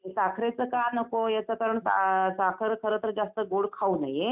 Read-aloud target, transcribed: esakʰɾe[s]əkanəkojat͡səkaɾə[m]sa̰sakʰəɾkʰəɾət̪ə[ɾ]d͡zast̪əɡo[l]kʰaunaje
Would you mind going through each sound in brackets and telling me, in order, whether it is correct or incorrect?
incorrect: t͡s, incorrect: ɳ, correct, incorrect: ɽ

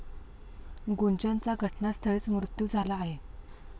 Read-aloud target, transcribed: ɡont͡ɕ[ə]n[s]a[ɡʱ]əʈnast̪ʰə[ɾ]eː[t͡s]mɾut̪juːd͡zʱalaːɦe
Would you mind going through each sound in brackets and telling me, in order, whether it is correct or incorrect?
incorrect: a, incorrect: t͡s, correct, incorrect: ɭ, correct

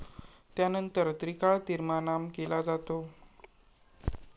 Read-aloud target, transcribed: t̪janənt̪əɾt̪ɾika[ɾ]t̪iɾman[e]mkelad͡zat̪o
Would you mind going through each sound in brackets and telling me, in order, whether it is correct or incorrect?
incorrect: ɭ, incorrect: a

